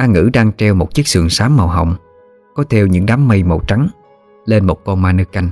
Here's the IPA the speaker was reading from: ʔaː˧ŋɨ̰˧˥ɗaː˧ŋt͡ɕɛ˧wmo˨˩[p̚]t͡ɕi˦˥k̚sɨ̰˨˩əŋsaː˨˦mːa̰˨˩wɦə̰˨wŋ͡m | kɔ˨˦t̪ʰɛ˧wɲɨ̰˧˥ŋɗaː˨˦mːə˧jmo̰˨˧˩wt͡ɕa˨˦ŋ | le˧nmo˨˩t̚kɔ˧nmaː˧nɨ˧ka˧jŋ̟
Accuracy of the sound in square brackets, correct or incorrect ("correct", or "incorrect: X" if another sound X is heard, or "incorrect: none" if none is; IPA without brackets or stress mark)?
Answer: incorrect: t̚